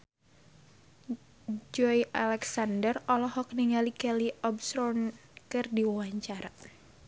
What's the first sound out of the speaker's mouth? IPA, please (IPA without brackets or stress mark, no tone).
d͡ʒ